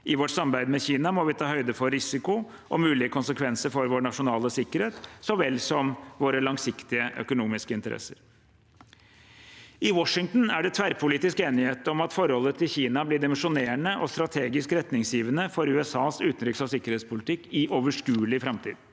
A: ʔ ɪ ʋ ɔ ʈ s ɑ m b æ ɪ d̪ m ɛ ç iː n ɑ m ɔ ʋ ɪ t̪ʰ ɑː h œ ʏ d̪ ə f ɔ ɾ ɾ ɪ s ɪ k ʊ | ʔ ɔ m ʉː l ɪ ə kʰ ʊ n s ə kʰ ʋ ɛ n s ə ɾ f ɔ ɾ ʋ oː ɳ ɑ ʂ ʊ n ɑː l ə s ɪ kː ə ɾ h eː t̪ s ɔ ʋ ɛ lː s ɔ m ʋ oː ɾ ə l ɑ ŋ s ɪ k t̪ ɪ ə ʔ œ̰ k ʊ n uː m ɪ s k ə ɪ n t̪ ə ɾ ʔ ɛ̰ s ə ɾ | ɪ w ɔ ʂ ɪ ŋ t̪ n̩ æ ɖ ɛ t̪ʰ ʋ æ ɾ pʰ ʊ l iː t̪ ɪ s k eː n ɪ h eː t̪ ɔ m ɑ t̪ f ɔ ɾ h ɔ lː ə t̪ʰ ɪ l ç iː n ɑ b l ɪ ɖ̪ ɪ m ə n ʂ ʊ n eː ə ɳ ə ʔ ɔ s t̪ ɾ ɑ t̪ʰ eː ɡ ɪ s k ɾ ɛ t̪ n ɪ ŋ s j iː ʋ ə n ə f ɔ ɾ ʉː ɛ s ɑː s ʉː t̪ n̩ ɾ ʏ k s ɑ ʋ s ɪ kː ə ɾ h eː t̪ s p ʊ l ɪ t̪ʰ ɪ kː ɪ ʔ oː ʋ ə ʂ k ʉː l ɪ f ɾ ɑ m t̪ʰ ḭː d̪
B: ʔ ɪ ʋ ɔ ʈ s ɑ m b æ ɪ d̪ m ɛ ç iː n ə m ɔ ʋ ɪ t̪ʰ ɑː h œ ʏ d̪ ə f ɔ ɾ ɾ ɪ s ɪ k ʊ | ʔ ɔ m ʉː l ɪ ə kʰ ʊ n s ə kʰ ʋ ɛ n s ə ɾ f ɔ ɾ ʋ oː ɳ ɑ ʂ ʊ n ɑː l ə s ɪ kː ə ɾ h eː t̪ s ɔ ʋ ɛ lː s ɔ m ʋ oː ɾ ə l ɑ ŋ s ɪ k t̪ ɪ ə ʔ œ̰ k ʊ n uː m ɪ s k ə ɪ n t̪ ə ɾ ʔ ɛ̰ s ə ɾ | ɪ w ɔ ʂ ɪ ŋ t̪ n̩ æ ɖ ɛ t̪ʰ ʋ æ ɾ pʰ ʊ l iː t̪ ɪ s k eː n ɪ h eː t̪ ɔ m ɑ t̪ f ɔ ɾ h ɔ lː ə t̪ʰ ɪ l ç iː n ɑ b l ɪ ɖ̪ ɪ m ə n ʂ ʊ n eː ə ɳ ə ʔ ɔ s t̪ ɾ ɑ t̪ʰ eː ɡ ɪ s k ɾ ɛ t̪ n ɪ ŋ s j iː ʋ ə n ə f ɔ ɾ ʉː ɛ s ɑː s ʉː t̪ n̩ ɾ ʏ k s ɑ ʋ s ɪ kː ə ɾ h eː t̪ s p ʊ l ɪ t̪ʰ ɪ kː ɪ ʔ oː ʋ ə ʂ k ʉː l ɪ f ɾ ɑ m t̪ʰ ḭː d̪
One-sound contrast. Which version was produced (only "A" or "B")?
A